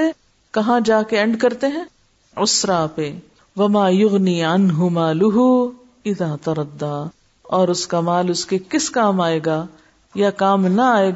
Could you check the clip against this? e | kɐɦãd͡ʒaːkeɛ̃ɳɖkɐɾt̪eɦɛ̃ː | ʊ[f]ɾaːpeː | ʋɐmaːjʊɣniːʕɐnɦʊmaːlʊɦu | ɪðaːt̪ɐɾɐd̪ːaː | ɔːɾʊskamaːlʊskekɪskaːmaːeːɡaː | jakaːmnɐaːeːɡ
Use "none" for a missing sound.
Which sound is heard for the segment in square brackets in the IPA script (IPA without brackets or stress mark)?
s